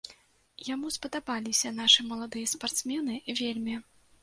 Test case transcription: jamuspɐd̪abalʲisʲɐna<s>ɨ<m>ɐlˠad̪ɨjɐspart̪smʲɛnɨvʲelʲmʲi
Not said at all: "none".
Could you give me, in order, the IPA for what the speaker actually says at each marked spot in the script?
ʂ, m

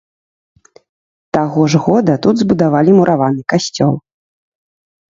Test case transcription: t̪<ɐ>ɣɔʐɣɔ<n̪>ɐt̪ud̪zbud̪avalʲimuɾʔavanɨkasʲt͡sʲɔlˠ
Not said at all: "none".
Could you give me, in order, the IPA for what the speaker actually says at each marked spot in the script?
a, d̪

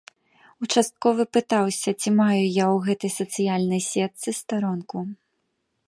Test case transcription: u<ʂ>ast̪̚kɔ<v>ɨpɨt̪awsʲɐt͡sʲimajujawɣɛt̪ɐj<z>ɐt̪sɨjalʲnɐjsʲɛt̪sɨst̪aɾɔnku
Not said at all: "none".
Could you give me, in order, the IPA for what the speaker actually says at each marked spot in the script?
t͡ʂ, v, s

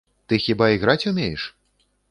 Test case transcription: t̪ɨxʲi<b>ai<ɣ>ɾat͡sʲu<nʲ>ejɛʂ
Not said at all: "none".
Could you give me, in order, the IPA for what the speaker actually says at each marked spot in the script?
b, ɣ, mʲ

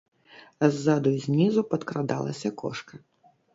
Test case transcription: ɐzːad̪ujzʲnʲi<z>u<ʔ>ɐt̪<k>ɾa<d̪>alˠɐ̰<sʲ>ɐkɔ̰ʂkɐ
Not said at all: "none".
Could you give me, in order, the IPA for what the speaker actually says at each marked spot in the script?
z, p, k, d̪, sʲ

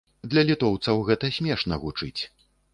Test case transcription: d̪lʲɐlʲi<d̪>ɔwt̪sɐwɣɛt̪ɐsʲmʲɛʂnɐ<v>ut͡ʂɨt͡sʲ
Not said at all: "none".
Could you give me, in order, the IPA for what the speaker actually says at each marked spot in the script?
t̪, ɣ

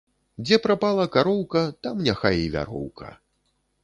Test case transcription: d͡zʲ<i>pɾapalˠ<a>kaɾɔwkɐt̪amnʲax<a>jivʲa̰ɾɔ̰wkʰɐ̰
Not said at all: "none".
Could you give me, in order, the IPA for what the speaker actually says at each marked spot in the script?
ɛ, ɐ, a

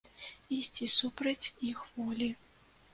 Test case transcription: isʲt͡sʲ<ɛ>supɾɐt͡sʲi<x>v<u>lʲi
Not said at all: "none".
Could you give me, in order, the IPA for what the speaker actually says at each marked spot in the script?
i, x, ɔ

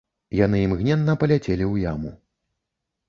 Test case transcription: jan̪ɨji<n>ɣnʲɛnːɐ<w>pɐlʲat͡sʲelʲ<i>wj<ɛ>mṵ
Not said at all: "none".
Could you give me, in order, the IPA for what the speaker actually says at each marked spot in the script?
m, none, i, a

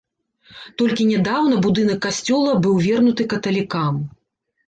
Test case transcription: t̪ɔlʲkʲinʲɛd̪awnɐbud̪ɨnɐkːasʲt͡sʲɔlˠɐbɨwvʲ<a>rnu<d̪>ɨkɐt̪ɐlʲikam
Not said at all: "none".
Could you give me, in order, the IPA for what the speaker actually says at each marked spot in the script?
ɛ, t̪

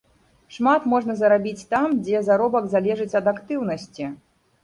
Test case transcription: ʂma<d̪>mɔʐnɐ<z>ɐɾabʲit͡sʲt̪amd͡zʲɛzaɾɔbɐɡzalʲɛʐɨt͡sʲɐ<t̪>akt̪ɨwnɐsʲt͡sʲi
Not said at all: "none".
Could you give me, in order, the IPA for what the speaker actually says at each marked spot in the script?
t̪, z, d̪

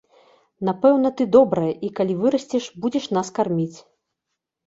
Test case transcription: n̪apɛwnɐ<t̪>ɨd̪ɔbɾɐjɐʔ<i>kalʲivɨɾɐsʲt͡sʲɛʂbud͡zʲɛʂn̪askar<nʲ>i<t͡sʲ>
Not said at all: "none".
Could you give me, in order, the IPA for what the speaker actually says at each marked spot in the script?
t̪, i, mʲ, t͡sʲ

